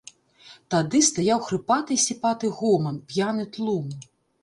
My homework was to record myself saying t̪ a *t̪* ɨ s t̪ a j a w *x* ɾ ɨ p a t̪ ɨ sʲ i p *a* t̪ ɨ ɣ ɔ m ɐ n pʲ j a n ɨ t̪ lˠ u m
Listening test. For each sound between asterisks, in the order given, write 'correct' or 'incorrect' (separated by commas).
incorrect, correct, correct